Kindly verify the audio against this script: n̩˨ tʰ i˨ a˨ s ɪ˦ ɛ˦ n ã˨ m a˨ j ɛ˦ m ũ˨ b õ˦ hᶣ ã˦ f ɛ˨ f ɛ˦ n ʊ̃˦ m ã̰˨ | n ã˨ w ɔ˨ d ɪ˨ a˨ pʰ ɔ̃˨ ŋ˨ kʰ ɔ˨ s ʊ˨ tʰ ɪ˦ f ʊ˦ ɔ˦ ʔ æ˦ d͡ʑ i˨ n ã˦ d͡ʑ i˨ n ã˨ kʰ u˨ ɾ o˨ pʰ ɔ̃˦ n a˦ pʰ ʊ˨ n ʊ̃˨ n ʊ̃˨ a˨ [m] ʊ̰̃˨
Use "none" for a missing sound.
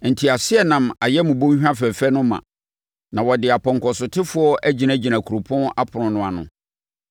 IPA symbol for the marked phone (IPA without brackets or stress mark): n